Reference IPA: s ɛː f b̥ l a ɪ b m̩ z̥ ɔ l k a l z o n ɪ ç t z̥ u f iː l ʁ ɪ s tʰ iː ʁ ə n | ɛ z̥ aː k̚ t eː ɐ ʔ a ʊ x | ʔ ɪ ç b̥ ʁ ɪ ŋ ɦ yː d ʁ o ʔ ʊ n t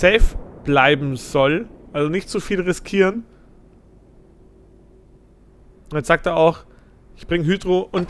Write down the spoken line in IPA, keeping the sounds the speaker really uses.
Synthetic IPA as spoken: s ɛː f b̥ l a ɪ b m̩ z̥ ɔ l ʔ a l z o n ɪ ç t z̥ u f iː l ʁ ɪ s kʰ iː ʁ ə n | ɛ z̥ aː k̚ t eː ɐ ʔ a ʊ x | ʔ ɪ ç b̥ ʁ ɪ ŋ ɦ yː d ʁ o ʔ ʊ n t

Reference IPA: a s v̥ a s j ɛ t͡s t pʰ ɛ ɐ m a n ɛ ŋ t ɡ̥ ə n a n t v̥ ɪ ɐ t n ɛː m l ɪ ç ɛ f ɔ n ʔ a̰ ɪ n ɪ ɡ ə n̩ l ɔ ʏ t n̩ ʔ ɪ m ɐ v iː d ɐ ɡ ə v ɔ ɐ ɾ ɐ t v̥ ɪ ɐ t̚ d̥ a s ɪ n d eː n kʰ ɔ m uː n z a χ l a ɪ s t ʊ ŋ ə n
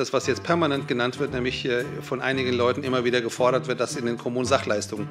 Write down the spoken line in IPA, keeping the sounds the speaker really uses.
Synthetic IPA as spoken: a s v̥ a s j ɛ t͡s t pʰ ɛ ɐ m a n ɛ n t ɡ̥ ə n a n t v̥ ɪ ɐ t n ɛː m l ɪ ç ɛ f ɔ n ʔ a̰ ɪ n ɪ ɡ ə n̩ l ɔ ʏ t n̩ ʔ ɪ m ɐ v iː d ɐ ɡ ə f ɔ ɐ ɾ ɐ t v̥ ɪ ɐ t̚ d̥ a s ɪ n d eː n kʰ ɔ m uː n z a χ l a ɪ s t ʊ ŋ ə n

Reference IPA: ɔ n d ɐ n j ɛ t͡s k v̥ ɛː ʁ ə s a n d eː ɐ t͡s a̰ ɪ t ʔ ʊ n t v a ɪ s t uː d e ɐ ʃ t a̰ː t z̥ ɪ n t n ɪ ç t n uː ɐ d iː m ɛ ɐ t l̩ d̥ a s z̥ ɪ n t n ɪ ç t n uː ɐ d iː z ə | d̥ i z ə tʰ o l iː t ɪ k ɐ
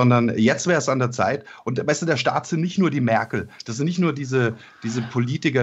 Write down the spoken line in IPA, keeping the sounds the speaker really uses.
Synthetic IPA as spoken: ɔ n d ɐ n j ɛ t͡s t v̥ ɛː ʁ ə s a n d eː ɐ t͡s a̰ ɪ t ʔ ʊ n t v a ɪ s t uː d e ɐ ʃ t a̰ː t z̥ ɪ n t n ɪ ç t n uː ɐ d iː m ɛ ɐ k l̩ d̥ a s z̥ ɪ n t n ɪ ç t n uː ɐ d iː z ə | d̥ iː z ə pʰ o l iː t ɪ k ɐ

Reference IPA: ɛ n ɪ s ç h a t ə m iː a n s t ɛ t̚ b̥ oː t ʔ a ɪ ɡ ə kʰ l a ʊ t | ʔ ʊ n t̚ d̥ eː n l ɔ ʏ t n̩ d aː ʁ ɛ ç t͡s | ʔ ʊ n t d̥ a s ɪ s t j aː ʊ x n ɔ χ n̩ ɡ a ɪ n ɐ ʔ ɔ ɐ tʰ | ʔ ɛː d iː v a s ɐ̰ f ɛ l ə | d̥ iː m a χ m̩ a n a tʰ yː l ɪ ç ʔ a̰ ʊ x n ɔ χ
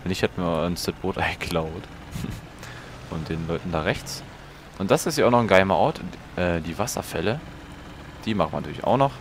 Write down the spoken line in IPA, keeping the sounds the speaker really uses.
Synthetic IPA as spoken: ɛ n ɪ ç h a t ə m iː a n s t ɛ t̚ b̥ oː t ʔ a ɪ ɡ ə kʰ l a ʊ t | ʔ ʊ n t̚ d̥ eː n l ɔ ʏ t n̩ d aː ʁ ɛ ç t͡s | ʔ ʊ n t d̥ a s ɪ s t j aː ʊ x n ɔ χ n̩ ɡ a ɪ m ɐ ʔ ɔ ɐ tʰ | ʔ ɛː d iː v a s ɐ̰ f ɛ l ə | d̥ iː m a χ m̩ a n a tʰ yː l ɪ ç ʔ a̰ ʊ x n ɔ χ

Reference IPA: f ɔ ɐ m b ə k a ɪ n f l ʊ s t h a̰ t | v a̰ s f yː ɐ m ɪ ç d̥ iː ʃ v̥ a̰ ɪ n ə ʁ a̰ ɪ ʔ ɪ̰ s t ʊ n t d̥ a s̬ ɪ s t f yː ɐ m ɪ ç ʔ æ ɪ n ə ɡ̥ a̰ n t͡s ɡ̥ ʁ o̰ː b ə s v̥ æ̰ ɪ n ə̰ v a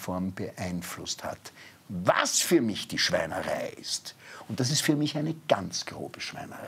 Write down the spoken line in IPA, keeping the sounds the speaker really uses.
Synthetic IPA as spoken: f ɔ ɐ m b ə ʔ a ɪ n f l ʊ s t h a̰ t | v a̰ s f yː ɐ m ɪ ç d̥ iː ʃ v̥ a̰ ɪ n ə ʁ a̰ ɪ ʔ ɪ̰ s t ʊ n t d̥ a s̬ ɪ s t f yː ɐ m ɪ ç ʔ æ ɪ n ə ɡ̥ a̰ n t͡s ɡ̥ ʁ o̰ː b ə ʃ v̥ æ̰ ɪ n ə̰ ʁ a

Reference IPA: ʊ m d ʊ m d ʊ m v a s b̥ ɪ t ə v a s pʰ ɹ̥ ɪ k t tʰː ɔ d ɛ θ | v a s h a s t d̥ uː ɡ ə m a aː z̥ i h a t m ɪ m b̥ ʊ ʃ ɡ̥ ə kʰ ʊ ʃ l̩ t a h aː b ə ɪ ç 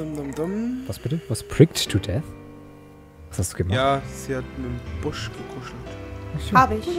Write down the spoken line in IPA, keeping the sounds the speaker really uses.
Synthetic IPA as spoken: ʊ m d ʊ m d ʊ m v a s b̥ ɪ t ə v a s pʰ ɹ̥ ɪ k t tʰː u d ɛ θ | v a s h a s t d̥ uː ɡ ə m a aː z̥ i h a t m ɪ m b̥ ʊ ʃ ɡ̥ ə kʰ ʊ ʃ l̩ t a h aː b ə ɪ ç

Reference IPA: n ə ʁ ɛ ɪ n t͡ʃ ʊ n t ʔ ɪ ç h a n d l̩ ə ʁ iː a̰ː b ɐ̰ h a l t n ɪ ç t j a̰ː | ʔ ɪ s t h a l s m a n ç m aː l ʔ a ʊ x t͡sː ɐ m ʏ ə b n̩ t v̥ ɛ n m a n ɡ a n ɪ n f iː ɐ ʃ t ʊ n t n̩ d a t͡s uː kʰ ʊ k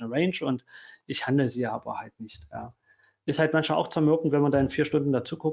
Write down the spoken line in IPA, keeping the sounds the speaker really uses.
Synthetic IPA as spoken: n ə ʁ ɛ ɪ n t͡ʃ ʊ n t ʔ ɪ ç h a n d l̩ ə z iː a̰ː b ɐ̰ h a l t n ɪ ç t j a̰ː | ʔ ɪ s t h a l t m a n ç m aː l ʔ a ʊ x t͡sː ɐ m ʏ ɐ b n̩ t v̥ ɛ n m a n d a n ɪ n f iː ɐ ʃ t ʊ n d n̩ d a t͡s uː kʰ ʊ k

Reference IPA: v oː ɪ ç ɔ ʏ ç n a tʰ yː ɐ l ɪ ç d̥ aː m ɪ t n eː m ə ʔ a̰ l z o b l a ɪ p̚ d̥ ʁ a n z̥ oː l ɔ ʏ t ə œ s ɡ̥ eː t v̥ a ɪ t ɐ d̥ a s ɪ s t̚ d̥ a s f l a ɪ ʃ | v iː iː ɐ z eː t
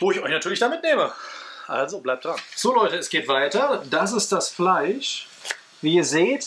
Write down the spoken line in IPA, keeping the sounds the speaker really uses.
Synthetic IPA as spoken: v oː ɪ ç ɔ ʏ ç n a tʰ yː ɐ l ɪ ç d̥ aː m ɪ t n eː m ə ʔ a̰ l z o b l a ɪ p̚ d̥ ʁ a n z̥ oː l ɔ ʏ t ə ɛ s ɡ̥ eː t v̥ a ɪ t ɐ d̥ a s ɪ s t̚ d̥ a s f l a ɪ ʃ | v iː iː ɐ z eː t

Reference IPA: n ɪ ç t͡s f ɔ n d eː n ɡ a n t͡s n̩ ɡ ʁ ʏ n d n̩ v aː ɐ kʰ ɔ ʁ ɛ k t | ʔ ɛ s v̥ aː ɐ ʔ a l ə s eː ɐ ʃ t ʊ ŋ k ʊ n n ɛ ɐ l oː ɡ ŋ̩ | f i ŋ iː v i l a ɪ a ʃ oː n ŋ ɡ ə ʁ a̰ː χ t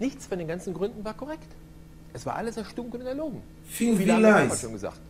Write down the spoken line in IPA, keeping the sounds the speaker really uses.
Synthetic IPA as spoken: n ɪ ç t͡s f ɔ n d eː n ɡ a n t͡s n̩ ɡ ʁ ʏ n d n̩ v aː ɐ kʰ ɔ ʁ ɛ k t | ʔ ɛ s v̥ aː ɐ ʔ a l ə s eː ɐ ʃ t ʊ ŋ k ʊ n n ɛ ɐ l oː ɡ ŋ̩ | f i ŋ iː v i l a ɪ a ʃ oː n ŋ ɡ ə z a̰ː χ t

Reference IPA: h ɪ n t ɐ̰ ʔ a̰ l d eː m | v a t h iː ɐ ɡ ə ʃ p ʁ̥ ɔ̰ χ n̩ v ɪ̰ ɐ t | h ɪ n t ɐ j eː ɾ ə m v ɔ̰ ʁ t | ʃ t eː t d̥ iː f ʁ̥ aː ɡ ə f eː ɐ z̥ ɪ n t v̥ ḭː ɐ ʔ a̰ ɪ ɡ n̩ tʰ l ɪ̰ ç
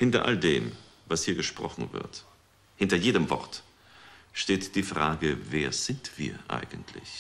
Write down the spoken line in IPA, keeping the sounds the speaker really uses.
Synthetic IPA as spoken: h ɪ n t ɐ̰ ʔ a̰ l d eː m | v a s h iː ɐ ɡ ə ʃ p ʁ̥ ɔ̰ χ n̩ v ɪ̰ ɐ t | h ɪ n t ɐ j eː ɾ ə m v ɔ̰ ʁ t | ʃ t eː t d̥ iː f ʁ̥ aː ɡ ə v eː ɐ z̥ ɪ n t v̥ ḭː ɐ ʔ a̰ ɪ ɡ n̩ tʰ l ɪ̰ ç

